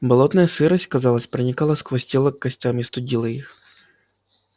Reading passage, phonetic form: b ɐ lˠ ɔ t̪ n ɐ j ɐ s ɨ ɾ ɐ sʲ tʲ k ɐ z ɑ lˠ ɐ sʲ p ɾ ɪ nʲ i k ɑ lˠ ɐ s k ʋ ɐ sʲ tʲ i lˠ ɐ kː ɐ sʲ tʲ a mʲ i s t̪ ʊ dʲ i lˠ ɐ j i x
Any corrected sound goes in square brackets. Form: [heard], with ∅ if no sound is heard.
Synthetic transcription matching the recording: b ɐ lˠ ɔ t̪ n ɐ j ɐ s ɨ ɾ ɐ sʲ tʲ k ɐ z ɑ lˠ ɐ sʲ p ɾ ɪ nʲ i k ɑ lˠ ɐ s k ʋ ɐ sʲ tʲ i lˠ ɐ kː ɐ sʲ tʲ a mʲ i s t̪ ʊ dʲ i lˠ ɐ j i x